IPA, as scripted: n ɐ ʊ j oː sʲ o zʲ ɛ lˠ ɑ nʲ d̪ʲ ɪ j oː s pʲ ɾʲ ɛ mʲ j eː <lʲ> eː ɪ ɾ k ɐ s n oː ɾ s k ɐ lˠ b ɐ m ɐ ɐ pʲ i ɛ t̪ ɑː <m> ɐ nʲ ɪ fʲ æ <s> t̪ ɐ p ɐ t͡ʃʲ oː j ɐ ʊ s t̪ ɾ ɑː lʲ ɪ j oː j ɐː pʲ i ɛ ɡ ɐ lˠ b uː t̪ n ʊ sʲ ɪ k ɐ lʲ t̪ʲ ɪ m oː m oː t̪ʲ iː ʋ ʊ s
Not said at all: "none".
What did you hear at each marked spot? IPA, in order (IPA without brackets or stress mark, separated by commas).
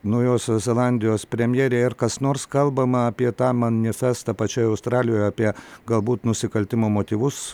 ɾʲ, m, s